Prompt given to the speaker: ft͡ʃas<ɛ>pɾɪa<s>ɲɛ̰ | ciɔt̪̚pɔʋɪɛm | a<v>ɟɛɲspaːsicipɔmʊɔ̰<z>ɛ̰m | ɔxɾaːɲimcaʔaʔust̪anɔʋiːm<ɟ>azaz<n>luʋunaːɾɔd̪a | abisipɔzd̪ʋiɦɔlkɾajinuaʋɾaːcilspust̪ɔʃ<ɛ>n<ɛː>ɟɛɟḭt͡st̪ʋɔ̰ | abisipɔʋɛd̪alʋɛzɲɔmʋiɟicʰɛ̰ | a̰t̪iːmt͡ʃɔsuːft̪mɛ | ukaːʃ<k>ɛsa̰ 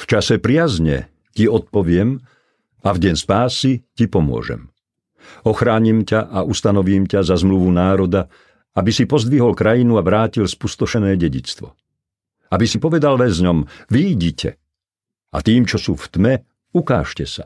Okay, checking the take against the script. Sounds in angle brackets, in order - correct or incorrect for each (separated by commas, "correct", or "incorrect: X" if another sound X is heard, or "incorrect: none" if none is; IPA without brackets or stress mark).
correct, incorrect: z, correct, incorrect: ʒ, incorrect: c, incorrect: m, correct, correct, incorrect: c